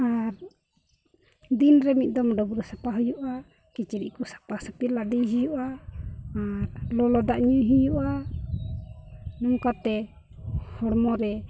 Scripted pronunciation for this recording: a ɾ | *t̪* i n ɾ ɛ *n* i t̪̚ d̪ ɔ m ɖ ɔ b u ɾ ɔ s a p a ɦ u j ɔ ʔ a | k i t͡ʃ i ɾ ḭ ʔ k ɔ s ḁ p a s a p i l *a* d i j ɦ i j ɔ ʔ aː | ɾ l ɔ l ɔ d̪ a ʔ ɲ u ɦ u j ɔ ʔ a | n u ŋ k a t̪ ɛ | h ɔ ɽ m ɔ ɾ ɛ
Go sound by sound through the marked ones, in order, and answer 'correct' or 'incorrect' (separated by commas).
incorrect, incorrect, correct